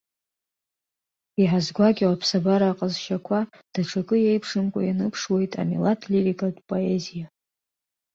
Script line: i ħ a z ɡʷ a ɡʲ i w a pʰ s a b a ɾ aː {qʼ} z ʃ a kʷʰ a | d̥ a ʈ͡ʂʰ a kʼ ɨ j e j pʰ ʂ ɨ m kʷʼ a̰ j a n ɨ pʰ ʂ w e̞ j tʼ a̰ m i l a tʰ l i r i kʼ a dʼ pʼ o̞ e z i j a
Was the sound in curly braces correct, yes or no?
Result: yes